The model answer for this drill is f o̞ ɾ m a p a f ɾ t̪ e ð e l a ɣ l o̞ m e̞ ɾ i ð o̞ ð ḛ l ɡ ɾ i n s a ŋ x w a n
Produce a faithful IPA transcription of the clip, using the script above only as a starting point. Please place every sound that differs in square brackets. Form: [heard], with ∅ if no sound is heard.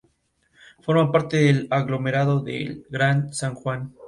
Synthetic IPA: f o̞ ɾ m a p a [∅] ɾ t̪ e ð e l a ɣ l o̞ m e̞ ɾ [a] ð o̞ ð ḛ l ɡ ɾ [a] n s a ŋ x w a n